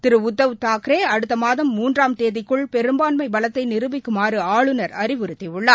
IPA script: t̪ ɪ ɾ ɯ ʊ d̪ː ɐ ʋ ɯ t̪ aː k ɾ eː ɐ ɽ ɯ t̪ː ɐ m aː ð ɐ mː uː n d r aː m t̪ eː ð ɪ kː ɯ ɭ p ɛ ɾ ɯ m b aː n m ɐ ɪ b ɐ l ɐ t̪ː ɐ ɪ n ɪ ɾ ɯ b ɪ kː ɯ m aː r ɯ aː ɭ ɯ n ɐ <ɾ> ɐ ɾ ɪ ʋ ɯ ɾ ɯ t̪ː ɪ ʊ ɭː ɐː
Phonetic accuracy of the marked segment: correct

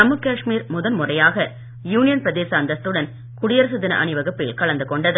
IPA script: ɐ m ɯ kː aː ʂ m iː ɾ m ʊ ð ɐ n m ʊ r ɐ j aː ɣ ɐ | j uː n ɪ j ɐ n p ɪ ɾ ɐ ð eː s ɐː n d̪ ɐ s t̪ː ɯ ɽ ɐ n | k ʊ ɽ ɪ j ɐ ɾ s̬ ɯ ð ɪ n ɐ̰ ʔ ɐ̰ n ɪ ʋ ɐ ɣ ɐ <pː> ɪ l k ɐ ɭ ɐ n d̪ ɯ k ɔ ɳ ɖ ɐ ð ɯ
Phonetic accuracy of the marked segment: correct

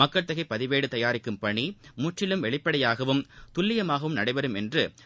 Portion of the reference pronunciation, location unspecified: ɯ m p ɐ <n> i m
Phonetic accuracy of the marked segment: incorrect: ɳ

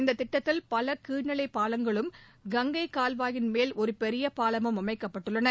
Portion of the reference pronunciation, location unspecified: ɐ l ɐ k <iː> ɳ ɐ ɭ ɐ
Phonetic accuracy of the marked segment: correct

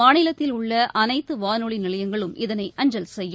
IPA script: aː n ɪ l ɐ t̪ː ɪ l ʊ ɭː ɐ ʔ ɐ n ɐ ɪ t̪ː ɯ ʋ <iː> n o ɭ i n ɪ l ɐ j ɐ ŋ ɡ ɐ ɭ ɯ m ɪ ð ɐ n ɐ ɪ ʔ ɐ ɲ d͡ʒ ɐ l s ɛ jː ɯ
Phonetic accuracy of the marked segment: incorrect: aː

